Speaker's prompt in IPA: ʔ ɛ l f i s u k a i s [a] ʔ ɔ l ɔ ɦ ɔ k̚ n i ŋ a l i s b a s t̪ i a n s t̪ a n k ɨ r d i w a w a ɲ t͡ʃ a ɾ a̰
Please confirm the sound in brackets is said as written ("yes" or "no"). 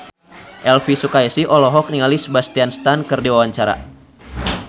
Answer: no